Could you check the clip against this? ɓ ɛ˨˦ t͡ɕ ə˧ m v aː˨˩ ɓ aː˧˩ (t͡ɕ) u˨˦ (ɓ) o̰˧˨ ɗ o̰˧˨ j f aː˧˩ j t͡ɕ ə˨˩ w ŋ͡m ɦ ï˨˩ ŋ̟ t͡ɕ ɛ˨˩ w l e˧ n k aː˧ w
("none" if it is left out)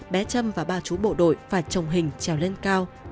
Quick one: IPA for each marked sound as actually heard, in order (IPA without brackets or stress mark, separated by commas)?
t͡ɕ, ɓ